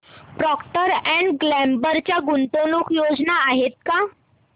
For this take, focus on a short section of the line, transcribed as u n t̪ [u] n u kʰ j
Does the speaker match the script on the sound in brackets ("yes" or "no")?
no